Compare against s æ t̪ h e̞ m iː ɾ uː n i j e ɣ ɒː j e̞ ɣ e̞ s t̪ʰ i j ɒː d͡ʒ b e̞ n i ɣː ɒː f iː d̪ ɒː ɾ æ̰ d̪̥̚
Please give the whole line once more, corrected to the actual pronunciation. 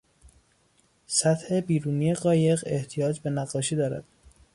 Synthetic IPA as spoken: s æ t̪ h e̞ b iː ɾ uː n i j e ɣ ɒː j e̞ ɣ e̞ h t̪ʰ i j ɒː d͡ʒ b e̞ n æ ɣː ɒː ʃ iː d̪ ɒː ɾ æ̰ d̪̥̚